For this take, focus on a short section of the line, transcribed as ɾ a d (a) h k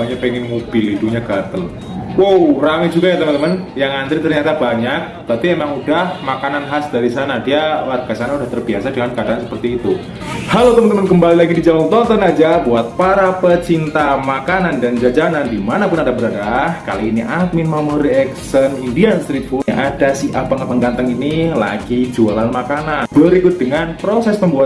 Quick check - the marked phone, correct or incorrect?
correct